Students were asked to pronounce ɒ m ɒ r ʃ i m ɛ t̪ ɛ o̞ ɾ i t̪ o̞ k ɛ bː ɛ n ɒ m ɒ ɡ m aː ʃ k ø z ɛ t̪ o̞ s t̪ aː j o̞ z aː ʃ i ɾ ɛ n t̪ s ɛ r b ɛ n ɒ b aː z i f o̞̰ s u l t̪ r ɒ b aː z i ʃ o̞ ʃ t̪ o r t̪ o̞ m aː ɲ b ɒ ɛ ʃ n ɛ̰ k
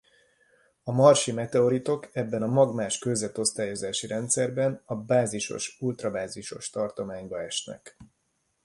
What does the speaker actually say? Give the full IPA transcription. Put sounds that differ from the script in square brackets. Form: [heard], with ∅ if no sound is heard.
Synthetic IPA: ɒ m ɒ r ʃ i m ɛ t̪ ɛ o̞ ɾ i t̪ o̞ k ɛ bː ɛ n ɒ m ɒ ɡ m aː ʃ k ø z ɛ t̪ o̞ s t̪ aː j o̞ z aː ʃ i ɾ ɛ n t̪ s ɛ r b ɛ n ɒ b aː z i [ʃ] o̞̰ [ʃ] u l t̪ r ɒ b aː z i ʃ o̞ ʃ t̪ [ɒ] r t̪ o̞ m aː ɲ b ɒ ɛ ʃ n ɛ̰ k

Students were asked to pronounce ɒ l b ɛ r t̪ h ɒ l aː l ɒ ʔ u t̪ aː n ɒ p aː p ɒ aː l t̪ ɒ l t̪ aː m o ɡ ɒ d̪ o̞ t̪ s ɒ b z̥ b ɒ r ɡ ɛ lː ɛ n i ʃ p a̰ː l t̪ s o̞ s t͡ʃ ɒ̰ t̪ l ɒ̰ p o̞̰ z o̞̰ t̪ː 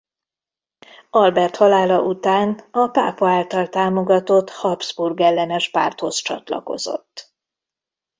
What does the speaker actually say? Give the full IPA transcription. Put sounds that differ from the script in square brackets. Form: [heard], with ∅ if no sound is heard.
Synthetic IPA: ɒ l b ɛ r t̪ h ɒ l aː l ɒ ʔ u t̪ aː n ɒ p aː p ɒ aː l t̪ ɒ l t̪ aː m o ɡ ɒ [t̪] o̞ t̪ [h] ɒ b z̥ b [u] r ɡ ɛ lː ɛ n [ɛ] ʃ p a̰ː [r] t̪ [h] o̞ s t͡ʃ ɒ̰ t̪ l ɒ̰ [k] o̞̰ z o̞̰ t̪ː

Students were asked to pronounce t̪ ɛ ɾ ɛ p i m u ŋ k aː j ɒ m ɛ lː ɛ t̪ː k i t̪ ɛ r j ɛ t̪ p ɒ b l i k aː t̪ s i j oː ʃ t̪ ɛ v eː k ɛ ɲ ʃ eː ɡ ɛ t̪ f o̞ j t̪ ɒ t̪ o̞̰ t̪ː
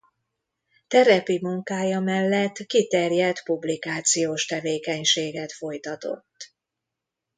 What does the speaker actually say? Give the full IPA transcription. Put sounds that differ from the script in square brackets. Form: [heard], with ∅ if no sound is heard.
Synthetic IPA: t̪ ɛ ɾ ɛ p i m u ŋ k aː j ɒ m ɛ lː ɛ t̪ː k i t̪ ɛ r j ɛ t̪ p [u] b l i k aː t̪ s i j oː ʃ t̪ ɛ v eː k ɛ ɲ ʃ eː ɡ ɛ t̪ f o̞ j t̪ ɒ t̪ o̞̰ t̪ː

